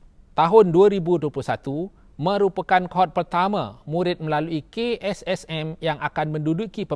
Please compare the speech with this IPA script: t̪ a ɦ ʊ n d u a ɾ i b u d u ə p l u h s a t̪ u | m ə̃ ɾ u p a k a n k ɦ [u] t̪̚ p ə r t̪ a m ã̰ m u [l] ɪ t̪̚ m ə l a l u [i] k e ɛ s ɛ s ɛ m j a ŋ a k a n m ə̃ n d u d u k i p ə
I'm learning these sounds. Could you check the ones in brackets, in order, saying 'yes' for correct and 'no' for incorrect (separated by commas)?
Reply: no, no, yes